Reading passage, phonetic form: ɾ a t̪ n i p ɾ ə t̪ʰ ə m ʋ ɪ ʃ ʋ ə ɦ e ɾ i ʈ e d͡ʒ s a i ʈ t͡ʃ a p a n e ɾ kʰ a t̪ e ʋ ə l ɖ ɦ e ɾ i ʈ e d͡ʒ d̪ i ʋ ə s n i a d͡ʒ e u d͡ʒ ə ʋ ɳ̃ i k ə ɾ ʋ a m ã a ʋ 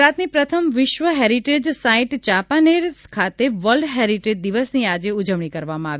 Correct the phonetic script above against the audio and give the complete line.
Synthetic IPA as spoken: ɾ a t̪ n i p ɾ ə t̪ʰ ə m ʋ ɪ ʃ ʋ ə ɦ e ɾ i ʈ e d͡ʒ s a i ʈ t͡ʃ a p a n e ɾ kʰ a t̪ e ʋ ə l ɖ ɦ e ɾ i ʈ e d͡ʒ d̪ i ʋ ə s n i a d͡ʒ e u d͡ʒ ə ʋ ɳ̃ i k ə ɾ ʋ a m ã a ʋ